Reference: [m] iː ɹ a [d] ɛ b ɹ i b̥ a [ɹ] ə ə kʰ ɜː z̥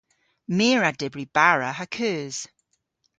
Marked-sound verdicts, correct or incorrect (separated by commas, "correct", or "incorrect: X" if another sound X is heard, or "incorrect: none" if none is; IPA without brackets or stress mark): correct, correct, correct